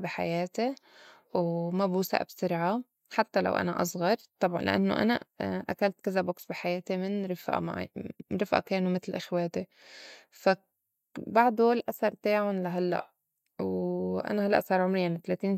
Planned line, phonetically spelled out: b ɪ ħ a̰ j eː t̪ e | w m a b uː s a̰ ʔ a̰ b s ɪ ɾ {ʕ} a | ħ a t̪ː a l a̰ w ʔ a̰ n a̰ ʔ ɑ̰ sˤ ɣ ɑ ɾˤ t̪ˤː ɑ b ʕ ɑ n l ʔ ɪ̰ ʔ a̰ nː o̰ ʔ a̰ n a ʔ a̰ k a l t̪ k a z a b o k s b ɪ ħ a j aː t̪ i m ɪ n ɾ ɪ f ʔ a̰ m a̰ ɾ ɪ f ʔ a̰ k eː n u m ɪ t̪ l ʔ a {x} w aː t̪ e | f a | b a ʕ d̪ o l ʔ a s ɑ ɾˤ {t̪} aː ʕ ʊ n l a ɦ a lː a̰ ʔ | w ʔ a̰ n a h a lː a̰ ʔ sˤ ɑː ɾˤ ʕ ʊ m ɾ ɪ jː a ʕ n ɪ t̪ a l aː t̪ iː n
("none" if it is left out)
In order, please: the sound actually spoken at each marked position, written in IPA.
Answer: ʕ, x, t̪

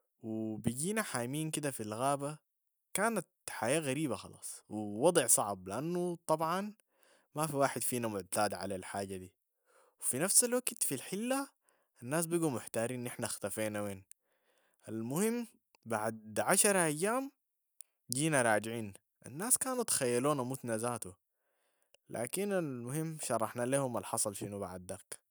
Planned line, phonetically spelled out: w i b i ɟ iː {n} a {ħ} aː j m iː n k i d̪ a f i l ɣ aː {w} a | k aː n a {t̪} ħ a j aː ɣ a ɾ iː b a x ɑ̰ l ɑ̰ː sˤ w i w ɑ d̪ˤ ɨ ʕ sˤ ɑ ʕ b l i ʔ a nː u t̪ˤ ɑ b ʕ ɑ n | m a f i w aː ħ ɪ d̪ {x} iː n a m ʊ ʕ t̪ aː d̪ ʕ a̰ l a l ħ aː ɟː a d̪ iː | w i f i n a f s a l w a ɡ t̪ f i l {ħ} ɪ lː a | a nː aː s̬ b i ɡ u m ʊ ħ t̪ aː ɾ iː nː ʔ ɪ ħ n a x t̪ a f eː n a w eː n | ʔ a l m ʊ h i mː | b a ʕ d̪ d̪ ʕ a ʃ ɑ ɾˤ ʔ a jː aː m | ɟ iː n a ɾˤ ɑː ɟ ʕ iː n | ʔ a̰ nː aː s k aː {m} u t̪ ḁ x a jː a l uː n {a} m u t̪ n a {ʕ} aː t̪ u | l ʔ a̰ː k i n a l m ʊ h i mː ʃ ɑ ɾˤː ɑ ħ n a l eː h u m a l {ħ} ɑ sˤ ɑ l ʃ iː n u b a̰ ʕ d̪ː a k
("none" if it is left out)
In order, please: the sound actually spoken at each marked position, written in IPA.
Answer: n, ħ, b, t̪, f, ħ, n, a, z, ħ

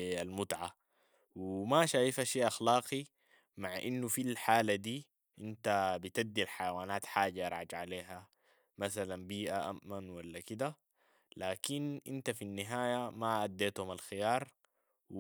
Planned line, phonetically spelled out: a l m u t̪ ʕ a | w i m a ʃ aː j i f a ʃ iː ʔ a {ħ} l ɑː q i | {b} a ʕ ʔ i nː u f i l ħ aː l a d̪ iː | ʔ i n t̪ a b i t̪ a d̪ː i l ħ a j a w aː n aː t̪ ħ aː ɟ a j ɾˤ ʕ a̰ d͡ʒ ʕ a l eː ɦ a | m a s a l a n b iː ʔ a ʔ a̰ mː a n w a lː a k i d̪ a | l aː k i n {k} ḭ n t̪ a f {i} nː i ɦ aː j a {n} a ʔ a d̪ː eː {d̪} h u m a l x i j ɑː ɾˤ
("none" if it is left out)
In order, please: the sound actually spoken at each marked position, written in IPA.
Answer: x, m, ʔ, i, m, t̪

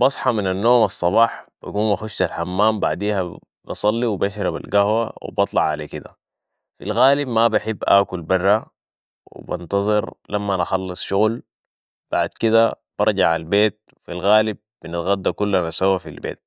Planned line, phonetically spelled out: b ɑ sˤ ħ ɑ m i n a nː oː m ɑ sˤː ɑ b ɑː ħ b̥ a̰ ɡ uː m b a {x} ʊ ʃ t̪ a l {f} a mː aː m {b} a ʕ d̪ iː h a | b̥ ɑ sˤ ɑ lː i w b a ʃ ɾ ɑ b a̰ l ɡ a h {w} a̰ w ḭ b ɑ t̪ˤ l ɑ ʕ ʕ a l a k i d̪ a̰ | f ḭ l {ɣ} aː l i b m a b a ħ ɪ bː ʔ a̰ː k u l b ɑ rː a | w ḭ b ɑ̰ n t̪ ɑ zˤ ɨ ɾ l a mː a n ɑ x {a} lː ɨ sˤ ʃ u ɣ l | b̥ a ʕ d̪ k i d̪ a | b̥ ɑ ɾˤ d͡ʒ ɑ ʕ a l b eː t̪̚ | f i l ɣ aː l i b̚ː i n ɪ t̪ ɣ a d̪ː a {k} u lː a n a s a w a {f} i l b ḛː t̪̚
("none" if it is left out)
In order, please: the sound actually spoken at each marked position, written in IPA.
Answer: x, ħ, b, w, ɣ, ɑ, k, f

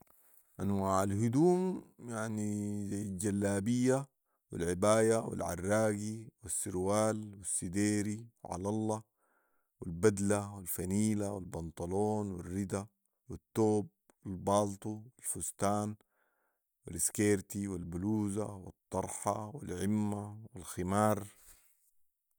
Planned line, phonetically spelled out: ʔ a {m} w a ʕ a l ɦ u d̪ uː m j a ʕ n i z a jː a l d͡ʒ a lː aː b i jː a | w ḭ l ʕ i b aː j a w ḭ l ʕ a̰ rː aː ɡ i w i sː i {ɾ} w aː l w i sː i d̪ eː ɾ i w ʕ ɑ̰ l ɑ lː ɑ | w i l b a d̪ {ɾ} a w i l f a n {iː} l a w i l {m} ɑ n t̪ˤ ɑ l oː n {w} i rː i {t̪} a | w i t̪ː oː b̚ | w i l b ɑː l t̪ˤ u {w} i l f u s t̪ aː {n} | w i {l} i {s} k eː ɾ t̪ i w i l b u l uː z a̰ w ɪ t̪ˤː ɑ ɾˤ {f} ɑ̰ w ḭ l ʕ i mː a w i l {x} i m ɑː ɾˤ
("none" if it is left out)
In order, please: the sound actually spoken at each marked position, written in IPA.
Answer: n, ɾ, l, iː, b, w, d̪, w, n, l, s, ħ, x

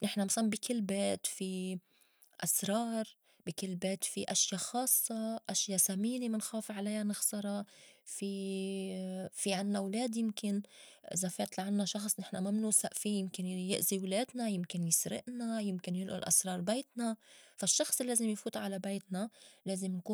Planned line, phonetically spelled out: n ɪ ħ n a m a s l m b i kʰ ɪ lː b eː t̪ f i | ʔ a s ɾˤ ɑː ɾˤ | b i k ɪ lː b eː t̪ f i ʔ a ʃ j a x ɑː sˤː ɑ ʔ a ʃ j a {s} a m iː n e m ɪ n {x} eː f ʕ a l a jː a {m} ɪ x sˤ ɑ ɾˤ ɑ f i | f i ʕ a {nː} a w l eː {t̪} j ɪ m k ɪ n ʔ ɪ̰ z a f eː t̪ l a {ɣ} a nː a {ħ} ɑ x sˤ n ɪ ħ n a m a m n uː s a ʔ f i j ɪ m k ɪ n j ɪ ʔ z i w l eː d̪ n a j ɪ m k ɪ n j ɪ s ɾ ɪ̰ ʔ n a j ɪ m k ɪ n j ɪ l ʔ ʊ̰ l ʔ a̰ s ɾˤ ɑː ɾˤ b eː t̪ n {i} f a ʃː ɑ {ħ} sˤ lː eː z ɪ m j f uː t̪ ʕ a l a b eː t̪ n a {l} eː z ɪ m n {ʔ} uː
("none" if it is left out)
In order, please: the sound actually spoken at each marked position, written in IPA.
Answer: s, x, n, nː, d̪, ʕ, ʃ, a, x, l, k

